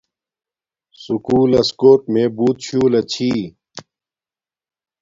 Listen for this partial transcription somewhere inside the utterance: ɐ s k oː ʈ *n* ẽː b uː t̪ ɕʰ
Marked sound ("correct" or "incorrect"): incorrect